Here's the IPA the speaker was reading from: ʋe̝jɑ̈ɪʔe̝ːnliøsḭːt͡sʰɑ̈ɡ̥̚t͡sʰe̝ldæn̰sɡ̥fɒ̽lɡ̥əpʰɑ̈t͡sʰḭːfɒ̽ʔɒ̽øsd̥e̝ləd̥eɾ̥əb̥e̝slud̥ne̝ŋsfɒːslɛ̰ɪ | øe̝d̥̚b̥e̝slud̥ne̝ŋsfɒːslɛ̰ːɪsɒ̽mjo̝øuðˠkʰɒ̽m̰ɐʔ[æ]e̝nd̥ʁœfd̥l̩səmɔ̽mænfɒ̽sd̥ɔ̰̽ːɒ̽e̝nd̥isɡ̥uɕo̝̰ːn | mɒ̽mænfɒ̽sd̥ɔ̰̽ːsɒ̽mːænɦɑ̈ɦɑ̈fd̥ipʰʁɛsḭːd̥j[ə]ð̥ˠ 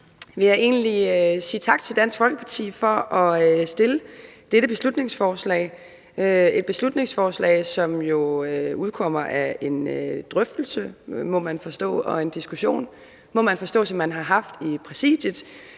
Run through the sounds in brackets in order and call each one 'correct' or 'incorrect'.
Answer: correct, correct

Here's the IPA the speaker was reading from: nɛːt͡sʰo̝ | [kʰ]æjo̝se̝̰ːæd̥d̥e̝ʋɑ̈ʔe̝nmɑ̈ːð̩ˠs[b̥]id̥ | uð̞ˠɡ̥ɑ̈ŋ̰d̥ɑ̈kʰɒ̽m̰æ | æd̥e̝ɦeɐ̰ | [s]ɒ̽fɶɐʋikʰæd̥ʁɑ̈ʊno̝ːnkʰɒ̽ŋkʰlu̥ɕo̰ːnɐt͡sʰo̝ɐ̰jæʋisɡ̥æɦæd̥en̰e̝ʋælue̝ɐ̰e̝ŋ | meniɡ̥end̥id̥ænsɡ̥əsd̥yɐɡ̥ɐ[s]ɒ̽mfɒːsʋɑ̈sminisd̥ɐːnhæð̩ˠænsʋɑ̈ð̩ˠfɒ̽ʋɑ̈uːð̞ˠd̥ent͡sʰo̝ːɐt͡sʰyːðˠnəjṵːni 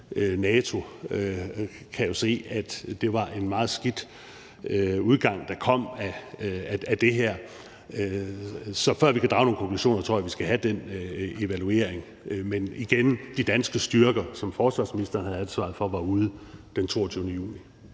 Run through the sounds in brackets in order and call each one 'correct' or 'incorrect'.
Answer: correct, incorrect, correct, correct

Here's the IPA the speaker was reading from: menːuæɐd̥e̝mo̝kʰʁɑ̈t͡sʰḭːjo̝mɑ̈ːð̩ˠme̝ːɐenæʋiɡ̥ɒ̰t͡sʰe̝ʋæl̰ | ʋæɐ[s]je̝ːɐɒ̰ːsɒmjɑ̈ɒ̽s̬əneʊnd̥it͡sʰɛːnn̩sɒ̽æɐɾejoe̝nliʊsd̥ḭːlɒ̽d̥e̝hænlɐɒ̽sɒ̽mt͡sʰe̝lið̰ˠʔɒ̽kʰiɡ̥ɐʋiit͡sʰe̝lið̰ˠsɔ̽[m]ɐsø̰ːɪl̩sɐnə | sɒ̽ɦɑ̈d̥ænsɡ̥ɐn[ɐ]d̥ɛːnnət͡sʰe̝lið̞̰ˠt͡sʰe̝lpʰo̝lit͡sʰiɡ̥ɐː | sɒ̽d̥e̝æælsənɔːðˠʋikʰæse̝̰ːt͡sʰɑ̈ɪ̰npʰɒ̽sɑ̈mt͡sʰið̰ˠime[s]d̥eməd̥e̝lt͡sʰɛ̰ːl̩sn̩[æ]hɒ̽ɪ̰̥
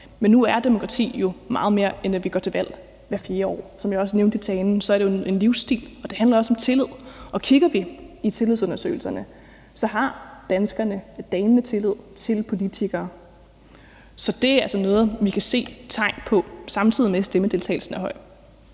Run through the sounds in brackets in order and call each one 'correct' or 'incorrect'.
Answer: incorrect, incorrect, incorrect, correct, correct

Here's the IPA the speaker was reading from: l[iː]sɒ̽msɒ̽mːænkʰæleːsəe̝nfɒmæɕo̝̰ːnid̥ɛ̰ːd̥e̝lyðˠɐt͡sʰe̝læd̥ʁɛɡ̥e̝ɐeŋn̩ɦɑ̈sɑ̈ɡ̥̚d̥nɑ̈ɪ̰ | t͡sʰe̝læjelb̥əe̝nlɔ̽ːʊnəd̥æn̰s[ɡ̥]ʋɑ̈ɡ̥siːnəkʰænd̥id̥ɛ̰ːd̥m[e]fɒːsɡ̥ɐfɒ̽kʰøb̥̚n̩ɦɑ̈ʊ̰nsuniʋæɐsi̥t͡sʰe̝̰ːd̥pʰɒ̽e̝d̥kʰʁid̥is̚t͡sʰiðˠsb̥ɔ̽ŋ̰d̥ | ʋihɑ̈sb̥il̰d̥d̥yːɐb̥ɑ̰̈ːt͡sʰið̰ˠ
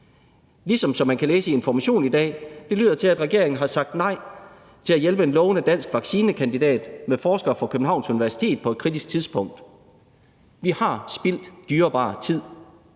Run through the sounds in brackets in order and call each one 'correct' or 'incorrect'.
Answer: incorrect, correct, correct

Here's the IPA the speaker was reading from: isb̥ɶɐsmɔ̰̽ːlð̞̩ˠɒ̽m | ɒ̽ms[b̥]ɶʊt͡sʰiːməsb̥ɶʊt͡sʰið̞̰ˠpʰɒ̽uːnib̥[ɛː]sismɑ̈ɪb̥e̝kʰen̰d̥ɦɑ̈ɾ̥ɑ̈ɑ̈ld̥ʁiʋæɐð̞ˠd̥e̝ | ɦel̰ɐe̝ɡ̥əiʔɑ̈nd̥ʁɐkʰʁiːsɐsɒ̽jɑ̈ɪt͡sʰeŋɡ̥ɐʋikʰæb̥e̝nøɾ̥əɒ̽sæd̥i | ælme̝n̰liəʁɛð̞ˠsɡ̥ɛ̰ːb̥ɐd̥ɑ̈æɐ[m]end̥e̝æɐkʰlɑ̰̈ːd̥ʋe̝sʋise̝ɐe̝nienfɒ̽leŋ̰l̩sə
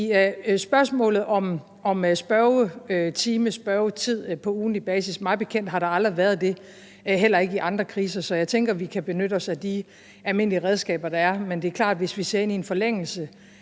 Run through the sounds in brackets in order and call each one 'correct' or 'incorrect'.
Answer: correct, correct, correct

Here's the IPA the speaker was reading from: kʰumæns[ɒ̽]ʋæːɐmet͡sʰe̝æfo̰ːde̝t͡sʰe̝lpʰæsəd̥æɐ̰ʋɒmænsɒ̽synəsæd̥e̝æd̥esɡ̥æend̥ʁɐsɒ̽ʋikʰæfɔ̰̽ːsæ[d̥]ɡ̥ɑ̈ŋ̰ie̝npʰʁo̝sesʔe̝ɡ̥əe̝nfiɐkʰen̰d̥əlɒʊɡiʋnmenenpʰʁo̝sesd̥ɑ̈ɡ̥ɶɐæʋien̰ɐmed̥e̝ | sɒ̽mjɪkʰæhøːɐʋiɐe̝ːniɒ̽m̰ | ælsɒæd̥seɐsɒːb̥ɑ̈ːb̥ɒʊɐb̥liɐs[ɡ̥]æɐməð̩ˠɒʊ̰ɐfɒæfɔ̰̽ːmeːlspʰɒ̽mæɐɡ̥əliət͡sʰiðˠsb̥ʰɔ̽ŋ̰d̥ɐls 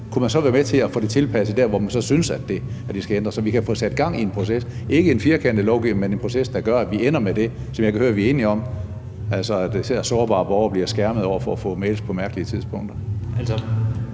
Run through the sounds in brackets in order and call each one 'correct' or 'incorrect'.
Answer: correct, correct, correct

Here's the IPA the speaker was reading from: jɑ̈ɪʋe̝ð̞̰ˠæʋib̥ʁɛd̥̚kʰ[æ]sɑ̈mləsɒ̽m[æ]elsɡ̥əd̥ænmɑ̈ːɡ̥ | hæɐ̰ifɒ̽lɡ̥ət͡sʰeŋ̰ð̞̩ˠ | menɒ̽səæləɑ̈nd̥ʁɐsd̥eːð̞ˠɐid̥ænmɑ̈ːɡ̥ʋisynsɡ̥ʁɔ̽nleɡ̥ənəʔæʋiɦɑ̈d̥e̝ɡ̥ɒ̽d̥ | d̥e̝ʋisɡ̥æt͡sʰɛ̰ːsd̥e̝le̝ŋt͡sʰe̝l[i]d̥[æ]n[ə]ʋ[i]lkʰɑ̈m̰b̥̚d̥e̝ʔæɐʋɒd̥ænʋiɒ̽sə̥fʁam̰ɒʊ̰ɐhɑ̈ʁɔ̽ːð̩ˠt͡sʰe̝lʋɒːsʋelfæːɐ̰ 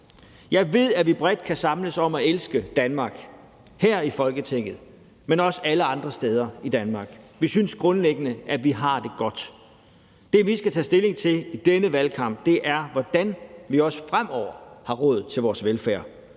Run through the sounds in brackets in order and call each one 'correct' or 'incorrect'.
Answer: correct, correct, correct, incorrect, correct, incorrect

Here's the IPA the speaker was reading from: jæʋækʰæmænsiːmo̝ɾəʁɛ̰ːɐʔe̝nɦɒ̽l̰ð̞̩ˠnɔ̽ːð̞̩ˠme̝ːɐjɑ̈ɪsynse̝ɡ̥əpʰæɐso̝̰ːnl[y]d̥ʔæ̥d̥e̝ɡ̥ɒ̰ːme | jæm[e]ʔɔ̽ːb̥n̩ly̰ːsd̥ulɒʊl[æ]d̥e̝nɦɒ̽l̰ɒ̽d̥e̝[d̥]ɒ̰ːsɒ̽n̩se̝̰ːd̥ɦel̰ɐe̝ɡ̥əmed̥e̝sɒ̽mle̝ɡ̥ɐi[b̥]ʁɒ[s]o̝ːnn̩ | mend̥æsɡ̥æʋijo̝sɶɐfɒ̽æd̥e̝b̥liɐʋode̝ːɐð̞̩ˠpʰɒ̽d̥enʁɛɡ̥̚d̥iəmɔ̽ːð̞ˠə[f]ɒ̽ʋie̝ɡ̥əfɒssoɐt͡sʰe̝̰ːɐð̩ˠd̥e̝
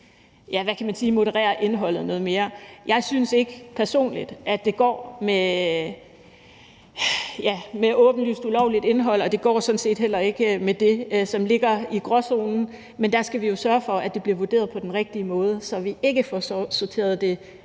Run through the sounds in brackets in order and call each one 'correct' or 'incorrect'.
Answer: incorrect, correct, incorrect, incorrect, incorrect, correct, incorrect

